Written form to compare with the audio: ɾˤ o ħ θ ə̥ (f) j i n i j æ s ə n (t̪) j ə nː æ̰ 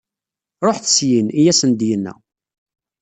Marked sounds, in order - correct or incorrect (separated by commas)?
incorrect, incorrect